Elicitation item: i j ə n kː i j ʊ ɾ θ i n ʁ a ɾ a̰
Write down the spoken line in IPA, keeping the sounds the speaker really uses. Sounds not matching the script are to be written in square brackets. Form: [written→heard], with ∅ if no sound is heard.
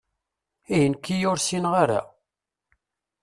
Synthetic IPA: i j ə n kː i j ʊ ɾ [θ→s] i n ʁ a ɾ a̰